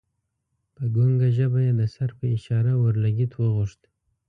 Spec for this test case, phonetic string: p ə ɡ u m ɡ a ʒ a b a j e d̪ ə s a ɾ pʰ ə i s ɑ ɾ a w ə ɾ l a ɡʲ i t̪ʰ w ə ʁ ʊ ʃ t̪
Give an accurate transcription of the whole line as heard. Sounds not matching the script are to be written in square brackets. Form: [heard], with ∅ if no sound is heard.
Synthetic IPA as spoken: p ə ɡ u [ŋ] ɡ a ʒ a b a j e d̪ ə s a ɾ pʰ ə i [ʃ] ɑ ɾ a w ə ɾ l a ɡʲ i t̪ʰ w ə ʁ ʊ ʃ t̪